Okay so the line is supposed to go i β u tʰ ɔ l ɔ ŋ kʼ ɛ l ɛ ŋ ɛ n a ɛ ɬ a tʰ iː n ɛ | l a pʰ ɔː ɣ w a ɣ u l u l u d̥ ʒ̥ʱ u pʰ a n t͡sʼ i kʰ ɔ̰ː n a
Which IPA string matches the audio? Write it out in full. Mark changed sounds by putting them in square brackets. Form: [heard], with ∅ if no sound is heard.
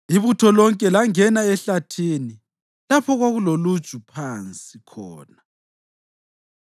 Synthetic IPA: i β u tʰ ɔ l ɔ ŋ kʼ ɛ l [a] ŋ ɛ n a ɛ ɬ a tʰ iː n [i] | l a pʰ [ɔ] ɣ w a ɣ u l [o] l u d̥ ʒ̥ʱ u pʰ a n t͡sʼ i kʰ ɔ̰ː n a